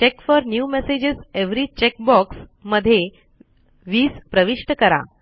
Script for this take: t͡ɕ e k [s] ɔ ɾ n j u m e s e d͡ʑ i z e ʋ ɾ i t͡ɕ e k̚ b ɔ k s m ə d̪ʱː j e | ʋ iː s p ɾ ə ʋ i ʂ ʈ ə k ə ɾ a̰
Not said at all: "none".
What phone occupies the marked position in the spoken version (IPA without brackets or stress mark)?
f